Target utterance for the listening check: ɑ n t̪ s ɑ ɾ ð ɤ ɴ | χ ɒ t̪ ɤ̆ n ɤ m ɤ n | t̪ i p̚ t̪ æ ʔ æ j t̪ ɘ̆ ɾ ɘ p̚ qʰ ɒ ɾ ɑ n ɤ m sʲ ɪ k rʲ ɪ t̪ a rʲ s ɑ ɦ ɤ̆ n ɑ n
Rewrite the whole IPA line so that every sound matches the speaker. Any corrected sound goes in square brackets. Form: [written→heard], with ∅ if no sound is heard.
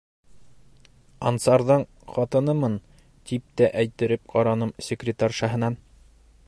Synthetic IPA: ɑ n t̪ s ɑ ɾ ð ɤ ɴ | χ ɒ t̪ ɤ̆ n ɤ m ɤ n | t̪ i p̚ t̪ æ ʔ æ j t̪ ɘ̆ ɾ ɘ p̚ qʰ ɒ ɾ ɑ n ɤ m sʲ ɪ k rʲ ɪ t̪ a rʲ [s→ʃ] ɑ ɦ ɤ̆ n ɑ n

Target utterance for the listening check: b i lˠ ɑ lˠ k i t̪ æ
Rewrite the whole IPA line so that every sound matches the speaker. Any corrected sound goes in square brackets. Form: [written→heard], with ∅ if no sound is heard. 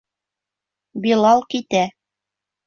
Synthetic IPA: b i lˠ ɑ lˠ k i t̪ æ

